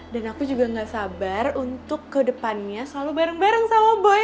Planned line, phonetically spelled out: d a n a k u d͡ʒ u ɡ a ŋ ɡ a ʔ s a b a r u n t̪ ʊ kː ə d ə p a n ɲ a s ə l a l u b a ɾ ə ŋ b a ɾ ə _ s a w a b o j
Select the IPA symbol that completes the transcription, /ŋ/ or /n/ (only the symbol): ŋ